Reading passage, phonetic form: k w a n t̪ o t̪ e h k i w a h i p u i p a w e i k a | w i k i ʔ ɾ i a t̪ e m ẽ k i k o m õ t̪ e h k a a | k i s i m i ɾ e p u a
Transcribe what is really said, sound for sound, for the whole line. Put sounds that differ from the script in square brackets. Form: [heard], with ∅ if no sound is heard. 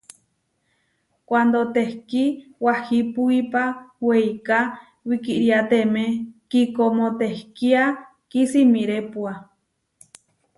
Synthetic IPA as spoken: k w a n [d̪] o t̪ e h k i w a h i p u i p a w e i k a | w i k i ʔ ɾ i a t̪ e m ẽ k i k o m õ t̪ e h k [i] a | k i s i m i ɾ e p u a